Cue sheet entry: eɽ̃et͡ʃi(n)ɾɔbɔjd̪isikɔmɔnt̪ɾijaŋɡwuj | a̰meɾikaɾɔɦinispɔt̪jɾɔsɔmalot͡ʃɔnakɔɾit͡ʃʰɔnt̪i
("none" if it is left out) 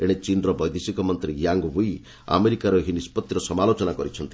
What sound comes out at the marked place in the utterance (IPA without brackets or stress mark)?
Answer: n